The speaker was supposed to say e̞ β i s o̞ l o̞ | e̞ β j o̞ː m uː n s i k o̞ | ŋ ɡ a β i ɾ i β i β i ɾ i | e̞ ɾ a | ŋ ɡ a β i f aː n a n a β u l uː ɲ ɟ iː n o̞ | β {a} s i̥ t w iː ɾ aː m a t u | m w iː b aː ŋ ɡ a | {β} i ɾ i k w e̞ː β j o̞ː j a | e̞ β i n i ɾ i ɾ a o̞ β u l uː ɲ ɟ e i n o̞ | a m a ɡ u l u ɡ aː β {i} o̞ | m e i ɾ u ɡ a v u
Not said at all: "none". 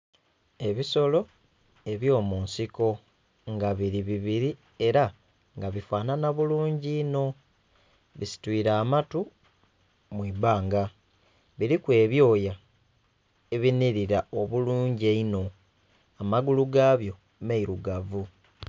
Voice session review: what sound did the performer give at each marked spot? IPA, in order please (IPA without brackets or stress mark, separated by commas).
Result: i, β, j